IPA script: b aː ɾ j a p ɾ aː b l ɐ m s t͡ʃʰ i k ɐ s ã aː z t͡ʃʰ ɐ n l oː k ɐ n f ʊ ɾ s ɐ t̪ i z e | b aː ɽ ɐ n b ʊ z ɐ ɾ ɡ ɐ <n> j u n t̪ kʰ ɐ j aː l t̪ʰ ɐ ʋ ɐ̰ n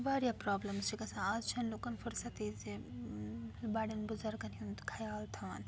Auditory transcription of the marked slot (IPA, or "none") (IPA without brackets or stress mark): n